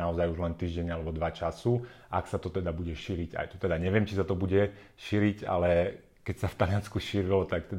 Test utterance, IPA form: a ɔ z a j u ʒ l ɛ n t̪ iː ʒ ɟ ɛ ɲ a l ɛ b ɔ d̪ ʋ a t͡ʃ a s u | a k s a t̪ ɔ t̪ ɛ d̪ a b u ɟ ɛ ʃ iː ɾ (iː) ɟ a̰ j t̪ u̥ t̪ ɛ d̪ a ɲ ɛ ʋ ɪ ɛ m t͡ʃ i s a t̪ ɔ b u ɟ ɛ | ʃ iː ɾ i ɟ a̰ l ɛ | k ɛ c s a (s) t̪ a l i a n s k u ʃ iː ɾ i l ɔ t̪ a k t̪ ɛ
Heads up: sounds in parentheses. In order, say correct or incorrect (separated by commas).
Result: incorrect, incorrect